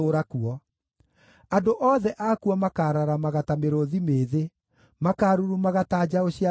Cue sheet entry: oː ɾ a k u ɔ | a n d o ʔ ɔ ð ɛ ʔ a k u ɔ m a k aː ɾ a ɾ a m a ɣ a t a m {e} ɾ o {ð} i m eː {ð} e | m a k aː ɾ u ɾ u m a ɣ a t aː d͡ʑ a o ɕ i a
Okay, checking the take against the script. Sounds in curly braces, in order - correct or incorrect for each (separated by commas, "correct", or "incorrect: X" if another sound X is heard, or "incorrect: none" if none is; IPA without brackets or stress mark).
correct, correct, correct